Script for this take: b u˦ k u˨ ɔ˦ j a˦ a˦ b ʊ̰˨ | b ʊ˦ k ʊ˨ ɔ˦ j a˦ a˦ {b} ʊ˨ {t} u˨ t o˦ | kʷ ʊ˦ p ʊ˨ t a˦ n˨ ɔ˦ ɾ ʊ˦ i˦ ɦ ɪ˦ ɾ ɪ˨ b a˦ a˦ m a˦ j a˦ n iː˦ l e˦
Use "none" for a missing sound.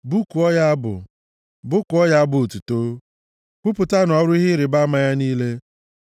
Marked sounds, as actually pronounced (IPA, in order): b, t

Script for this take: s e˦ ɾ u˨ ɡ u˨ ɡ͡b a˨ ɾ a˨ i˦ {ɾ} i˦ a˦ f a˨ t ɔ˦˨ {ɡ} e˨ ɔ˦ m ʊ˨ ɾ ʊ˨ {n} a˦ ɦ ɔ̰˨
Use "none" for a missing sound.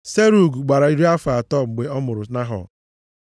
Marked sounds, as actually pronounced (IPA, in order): ɾ, ɡ͡b, n

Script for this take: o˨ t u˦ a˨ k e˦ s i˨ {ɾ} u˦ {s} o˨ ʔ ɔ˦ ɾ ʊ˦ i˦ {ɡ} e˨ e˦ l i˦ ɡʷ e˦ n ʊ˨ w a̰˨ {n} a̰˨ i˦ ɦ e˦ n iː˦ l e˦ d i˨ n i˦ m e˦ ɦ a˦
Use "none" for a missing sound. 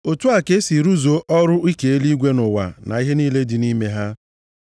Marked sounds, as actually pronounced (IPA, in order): ɾ, z, k, n

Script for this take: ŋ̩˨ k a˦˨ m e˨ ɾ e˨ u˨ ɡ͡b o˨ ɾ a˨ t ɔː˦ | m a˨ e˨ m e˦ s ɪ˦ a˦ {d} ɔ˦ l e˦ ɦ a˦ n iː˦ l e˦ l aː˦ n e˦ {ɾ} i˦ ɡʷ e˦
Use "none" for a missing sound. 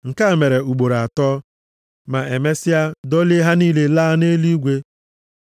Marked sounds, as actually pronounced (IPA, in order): d, l

